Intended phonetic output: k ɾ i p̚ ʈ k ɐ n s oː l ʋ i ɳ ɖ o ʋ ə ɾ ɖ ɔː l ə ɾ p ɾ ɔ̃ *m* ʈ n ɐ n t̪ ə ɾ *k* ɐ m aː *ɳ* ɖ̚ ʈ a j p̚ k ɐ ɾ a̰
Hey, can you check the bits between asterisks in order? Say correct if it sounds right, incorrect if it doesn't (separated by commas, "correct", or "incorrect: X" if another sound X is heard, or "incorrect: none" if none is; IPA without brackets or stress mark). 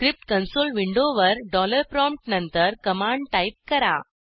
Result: correct, correct, correct